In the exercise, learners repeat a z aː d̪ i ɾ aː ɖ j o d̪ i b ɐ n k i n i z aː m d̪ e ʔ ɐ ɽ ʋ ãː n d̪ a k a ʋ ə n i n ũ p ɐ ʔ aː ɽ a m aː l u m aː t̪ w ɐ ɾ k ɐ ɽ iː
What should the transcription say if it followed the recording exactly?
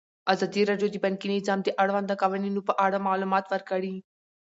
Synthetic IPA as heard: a z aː d̪ i ɾ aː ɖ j o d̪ i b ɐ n k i n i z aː m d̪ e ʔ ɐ ɽ ʋ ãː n d̪ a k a ʋ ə n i n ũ p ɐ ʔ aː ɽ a m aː l u m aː t̪ ʋ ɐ ɾ k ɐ ɽ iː